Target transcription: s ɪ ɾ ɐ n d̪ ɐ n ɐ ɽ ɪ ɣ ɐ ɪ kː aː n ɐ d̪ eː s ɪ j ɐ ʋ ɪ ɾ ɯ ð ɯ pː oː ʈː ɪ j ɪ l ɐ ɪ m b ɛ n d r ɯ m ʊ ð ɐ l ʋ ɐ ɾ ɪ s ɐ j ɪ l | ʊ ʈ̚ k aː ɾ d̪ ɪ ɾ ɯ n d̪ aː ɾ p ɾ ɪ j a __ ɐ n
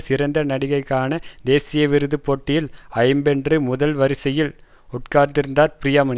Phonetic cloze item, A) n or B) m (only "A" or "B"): B